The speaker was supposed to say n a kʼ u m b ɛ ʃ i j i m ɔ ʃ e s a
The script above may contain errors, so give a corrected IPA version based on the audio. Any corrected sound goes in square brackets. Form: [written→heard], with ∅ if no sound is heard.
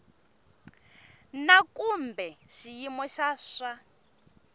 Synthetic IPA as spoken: n a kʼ u m b ɛ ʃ i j i m ɔ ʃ [e→a] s a